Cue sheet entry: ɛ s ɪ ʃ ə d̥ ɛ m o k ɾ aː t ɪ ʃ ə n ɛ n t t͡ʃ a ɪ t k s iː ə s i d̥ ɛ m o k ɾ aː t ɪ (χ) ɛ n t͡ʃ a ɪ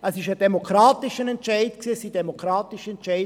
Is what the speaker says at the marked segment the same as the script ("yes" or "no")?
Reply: no